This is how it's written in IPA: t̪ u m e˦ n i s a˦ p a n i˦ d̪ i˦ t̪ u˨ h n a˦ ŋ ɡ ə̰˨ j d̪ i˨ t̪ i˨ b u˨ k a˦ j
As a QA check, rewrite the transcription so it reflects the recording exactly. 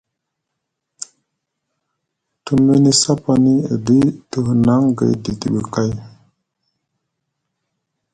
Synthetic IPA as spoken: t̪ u m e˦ n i s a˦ p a n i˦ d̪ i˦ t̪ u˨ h n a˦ ŋ ɡ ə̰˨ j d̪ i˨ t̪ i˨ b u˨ k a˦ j